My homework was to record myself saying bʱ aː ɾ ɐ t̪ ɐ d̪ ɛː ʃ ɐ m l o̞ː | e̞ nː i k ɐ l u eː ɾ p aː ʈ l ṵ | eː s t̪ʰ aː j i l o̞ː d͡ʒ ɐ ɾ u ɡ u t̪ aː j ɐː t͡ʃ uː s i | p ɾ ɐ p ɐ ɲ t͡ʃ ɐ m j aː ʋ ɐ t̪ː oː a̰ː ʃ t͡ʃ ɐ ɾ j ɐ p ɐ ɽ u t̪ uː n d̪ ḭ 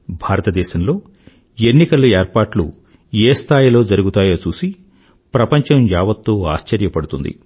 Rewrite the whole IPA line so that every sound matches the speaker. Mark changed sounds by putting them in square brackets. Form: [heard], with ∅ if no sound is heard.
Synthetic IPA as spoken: bʱ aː ɾ ɐ t̪ ɐ d̪ ɛː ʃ ɐ m l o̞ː | e̞ nː i k ɐ l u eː ɾ p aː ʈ l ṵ | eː s t̪ʰ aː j i l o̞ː d͡ʒ ɐ ɾ u ɡ u t̪ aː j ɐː t͡ʃ uː s i | p ɾ ɐ p ɐ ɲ t͡ʃ ɐ m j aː ʋ ɐ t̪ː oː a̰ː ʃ t͡ʃ ɐ ɾ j ɐ p ɐ ɽ u t̪ [u] n d̪ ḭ